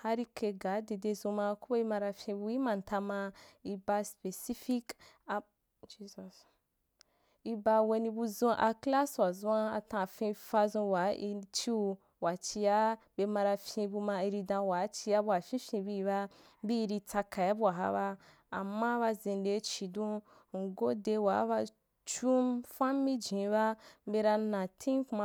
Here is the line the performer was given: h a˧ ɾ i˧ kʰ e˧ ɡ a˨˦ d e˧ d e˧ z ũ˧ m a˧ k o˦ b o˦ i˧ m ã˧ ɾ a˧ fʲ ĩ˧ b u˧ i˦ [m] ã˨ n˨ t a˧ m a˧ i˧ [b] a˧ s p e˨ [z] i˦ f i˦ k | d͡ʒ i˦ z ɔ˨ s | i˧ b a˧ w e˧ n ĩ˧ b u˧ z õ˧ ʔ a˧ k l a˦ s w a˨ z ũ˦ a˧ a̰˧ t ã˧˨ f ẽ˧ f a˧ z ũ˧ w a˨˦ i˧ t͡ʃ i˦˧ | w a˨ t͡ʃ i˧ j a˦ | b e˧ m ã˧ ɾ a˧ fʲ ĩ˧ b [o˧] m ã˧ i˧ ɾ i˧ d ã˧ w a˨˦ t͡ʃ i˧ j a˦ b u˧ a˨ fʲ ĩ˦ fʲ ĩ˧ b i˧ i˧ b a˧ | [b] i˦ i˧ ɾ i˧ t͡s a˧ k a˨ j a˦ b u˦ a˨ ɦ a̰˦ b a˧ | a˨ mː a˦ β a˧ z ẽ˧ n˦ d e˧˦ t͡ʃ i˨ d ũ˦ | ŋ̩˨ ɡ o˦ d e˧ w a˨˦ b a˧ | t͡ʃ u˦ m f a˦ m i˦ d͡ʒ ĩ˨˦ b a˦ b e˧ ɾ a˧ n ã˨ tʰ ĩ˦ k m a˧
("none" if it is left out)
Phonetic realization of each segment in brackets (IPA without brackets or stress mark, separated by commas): m, b, s, u˧, b